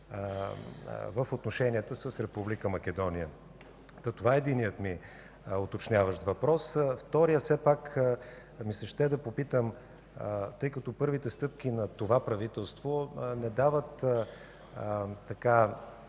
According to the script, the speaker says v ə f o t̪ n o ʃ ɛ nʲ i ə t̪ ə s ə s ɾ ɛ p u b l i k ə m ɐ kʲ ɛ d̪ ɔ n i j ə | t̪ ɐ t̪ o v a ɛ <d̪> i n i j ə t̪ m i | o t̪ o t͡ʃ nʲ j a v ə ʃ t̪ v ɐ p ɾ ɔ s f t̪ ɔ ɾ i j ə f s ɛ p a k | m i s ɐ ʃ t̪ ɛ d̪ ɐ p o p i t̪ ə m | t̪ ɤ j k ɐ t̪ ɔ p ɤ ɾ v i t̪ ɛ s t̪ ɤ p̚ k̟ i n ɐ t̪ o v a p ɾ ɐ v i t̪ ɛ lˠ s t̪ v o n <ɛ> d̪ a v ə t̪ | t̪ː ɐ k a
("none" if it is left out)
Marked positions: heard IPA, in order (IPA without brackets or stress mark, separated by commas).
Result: d̪, ɛ